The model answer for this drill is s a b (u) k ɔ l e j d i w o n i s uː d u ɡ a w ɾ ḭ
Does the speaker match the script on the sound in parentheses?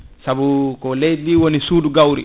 yes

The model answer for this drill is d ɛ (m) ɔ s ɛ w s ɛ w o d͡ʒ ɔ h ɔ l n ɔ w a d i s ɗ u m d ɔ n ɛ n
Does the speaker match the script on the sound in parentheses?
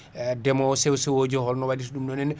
yes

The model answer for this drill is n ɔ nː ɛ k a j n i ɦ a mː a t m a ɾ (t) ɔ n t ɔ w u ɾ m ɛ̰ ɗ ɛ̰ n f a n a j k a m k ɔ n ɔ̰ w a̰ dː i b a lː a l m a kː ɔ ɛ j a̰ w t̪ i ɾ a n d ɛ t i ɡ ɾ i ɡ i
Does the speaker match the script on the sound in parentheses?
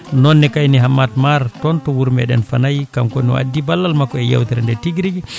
yes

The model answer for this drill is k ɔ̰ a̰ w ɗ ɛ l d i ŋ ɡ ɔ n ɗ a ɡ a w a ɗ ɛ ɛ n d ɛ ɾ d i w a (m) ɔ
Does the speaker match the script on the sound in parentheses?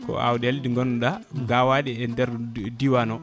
no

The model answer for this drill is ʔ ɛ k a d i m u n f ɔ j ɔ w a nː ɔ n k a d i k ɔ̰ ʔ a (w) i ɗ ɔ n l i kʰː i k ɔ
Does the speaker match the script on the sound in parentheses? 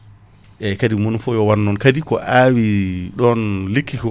yes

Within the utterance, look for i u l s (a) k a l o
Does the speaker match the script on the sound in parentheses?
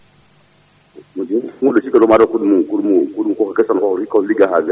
no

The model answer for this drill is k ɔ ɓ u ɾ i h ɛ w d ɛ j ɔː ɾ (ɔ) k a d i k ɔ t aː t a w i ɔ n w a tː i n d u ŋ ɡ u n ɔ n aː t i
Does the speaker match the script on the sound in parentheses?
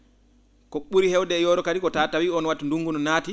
yes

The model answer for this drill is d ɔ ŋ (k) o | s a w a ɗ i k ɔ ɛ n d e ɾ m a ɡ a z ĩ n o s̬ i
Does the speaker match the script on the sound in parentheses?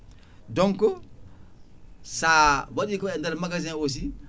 yes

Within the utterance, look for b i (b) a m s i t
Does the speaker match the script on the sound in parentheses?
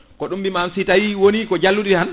no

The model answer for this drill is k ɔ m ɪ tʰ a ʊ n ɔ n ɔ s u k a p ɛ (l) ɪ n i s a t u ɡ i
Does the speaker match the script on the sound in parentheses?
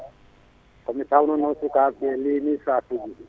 yes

